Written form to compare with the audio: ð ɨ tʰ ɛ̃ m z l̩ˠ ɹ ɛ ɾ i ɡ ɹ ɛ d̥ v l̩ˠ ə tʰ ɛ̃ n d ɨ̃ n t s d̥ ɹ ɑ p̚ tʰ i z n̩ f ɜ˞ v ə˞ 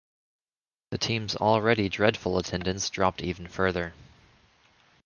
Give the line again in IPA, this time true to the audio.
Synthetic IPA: ð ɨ tʰ ĩ m z l̩ˠ ɹ ɛ ɾ i d ɹ ɛ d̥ f l̩ˠ ə tʰ ɛ̃ n d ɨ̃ n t s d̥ ɹ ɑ p̚ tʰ i v n̩ f ɜ˞ ð ə˞

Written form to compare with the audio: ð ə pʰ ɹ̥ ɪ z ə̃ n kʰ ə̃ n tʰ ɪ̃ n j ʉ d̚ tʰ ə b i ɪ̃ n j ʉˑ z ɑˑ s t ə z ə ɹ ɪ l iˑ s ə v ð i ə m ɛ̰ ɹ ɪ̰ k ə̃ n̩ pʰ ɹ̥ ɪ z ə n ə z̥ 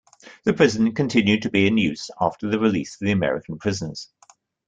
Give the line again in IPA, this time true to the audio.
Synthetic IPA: ð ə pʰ ɹ̥ ɪ z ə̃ n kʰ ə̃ n tʰ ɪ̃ n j ʉ d̚ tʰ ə b i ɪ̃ n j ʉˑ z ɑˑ f t ə ð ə ɹ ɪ l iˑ s ə v ð i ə m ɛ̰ ɹ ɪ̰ k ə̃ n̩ pʰ ɹ̥ ɪ z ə n ə z̥

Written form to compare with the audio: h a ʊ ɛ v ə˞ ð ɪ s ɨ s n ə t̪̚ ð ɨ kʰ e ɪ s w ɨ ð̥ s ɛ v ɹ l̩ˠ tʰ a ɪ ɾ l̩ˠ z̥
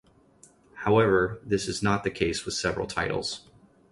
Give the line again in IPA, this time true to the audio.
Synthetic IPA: h a ʊ ɛ v ə˞ ð ɪ s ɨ z n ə t̪̚ ð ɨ kʰ e ɪ s w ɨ ð̥ s ɛ v ɹ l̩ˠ tʰ a ɪ ɾ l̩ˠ z̥

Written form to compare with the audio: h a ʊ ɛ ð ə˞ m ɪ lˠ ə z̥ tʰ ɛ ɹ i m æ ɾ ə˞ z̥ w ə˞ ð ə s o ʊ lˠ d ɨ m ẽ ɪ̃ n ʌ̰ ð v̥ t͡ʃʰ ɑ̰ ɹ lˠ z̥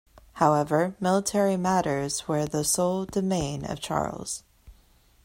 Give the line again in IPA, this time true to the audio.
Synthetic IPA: h a ʊ ɛ v ə˞ m ɪ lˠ ə tʰ ɛ ɹ i m æ ɾ ə˞ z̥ w ə˞ ð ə s o ʊ lˠ d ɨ m ẽ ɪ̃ n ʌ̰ v̥ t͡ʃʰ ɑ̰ ɹ lˠ z̥

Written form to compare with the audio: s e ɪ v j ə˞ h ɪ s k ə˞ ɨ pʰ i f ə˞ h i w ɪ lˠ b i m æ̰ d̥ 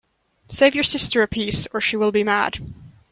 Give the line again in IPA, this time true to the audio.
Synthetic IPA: s e ɪ v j ə˞ s ɪ s t ə˞ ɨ pʰ i s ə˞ ʃ i w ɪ lˠ b i m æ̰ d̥

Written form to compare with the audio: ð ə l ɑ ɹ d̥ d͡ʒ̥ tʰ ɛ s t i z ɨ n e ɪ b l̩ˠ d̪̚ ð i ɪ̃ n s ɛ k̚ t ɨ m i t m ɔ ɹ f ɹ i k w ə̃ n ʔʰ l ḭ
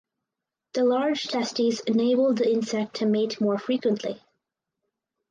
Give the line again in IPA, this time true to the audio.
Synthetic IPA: ð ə l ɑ ɹ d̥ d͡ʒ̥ tʰ ɛ s t i z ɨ n e ɪ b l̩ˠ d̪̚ ð i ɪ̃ n s ɛ k̚ tʰ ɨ m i t m ɔ ɹ f ɹ i k w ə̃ n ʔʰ l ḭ

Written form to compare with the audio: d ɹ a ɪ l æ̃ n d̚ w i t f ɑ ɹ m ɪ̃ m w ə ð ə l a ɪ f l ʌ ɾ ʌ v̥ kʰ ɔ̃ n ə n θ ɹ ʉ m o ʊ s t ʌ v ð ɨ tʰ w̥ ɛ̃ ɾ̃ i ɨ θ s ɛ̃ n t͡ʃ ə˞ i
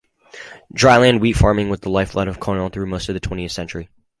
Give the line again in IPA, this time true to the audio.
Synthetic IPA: d ɹ a ɪ l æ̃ n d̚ w i t f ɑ ɹ m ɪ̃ ŋ w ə ð ə l a ɪ f l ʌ ɾ ʌ v̥ kʰ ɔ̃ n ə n θ ɹ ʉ m o ʊ s t ʌ v ð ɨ tʰ w̥ ɛ̃ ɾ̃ i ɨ θ s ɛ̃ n t͡ʃ ə˞ i

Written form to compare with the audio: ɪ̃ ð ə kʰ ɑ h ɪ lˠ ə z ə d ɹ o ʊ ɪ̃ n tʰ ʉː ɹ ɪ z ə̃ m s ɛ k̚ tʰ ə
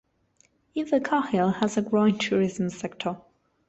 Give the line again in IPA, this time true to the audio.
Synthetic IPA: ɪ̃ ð ə kʰ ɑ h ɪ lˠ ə z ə ɡ ɹ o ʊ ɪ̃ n tʰ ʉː ɹ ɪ z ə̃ m s ɛ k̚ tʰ ə

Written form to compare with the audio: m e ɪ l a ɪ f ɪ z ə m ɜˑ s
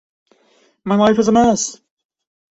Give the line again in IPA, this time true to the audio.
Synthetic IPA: m a ɪ l a ɪ f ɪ z ə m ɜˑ s

